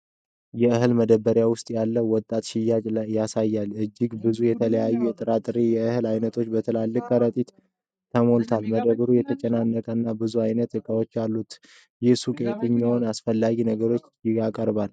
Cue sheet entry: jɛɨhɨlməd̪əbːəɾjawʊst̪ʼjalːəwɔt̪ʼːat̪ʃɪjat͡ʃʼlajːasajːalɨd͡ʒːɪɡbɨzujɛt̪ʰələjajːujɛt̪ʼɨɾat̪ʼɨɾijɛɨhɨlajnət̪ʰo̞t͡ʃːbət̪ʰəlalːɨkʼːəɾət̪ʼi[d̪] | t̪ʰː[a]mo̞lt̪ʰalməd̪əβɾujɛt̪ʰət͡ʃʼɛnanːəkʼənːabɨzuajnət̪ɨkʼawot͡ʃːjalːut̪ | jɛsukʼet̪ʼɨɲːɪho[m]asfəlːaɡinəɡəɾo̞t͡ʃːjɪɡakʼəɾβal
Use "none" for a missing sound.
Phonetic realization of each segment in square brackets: t̪, ə, n

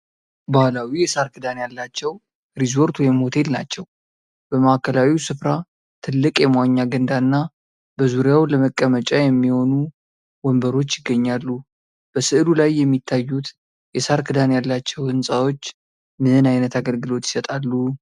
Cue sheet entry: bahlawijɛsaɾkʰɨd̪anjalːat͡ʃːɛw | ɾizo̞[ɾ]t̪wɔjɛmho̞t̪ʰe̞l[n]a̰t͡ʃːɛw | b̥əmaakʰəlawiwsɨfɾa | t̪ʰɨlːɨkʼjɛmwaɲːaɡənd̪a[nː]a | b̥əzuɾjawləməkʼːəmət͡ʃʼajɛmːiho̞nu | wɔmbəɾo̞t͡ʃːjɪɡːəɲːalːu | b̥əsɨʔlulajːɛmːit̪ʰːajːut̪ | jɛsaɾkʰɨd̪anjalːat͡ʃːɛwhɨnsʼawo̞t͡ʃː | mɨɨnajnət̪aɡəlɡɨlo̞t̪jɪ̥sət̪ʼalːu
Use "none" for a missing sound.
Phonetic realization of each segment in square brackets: ɾ, n, nː

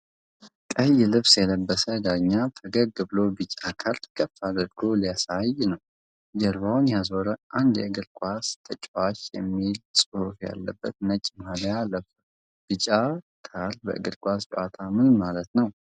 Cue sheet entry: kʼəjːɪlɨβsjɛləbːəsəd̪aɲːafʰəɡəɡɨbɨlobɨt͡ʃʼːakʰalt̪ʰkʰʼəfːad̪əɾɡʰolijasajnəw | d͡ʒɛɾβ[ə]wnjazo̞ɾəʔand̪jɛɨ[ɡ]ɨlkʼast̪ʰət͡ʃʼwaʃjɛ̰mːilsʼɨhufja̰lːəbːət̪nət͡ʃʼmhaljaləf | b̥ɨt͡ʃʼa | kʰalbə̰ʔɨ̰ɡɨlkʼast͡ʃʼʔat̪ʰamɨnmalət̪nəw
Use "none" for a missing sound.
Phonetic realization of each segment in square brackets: a, ɡ

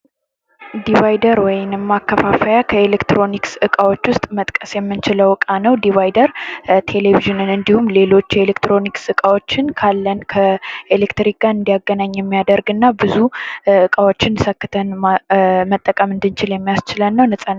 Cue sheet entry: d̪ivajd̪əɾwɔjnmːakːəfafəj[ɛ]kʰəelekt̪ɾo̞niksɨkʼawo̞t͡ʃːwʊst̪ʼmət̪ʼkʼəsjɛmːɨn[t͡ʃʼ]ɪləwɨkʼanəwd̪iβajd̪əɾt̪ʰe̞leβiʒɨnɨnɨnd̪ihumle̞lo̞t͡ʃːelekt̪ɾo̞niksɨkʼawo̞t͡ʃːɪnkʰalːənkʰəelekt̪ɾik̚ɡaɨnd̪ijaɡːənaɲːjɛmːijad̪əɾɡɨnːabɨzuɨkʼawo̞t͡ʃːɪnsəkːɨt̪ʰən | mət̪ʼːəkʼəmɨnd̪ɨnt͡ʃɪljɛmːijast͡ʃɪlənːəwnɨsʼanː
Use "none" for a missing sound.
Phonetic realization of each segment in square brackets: a, t͡ʃ

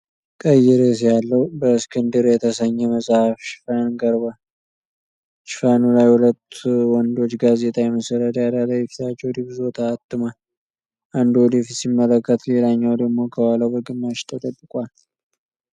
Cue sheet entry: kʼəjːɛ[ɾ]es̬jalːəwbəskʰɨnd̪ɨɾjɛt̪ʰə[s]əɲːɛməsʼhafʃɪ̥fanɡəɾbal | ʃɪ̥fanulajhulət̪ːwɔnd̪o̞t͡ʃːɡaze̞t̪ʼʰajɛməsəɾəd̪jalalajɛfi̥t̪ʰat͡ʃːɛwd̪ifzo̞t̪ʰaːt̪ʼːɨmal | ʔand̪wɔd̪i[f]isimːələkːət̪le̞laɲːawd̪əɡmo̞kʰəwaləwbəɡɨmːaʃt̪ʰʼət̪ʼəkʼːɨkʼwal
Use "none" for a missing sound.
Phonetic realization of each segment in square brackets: ɾ, s, f

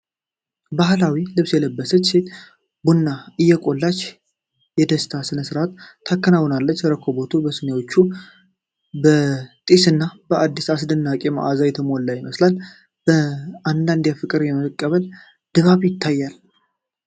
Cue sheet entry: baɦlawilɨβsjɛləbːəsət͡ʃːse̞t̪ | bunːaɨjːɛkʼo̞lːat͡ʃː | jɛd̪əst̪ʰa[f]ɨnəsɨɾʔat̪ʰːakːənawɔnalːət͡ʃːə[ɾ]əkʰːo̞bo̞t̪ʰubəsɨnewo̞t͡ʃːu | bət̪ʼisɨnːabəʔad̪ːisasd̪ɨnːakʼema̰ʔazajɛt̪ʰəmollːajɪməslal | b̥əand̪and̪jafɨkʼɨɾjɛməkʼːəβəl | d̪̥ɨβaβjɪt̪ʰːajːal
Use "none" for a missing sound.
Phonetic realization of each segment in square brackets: s, ɾ

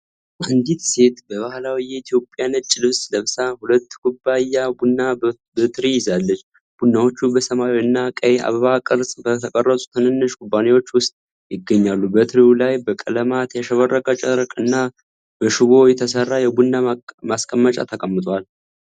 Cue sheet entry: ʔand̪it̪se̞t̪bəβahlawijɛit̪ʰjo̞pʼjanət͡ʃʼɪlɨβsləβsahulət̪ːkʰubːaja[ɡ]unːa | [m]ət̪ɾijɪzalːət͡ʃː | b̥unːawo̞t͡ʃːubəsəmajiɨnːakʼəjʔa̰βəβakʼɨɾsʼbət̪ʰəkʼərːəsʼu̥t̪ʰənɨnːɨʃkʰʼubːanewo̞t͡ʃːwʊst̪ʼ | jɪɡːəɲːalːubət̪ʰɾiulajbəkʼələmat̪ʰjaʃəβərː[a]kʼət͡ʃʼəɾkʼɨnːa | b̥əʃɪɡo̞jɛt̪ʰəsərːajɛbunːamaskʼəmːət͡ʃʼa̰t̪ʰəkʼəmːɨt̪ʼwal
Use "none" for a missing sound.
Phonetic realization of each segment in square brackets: b, b, ə

